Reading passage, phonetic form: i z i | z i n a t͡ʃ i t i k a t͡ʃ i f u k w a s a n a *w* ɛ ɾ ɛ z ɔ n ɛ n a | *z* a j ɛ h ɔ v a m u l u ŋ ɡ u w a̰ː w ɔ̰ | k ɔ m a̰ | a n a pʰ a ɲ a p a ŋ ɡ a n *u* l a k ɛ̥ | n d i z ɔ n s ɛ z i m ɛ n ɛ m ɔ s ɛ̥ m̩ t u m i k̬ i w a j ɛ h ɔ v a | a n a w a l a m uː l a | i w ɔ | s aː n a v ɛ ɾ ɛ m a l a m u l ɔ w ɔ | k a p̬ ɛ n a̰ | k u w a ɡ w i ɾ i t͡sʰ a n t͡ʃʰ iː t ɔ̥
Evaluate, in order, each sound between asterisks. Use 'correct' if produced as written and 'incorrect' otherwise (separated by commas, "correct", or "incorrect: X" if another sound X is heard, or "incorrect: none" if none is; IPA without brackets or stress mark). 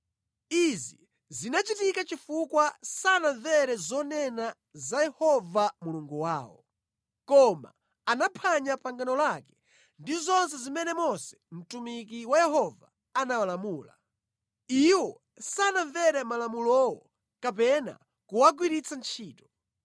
incorrect: v, correct, incorrect: ɔ